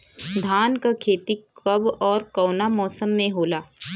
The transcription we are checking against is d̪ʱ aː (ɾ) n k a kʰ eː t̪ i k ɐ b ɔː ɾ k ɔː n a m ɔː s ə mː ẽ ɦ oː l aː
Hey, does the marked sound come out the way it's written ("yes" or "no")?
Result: no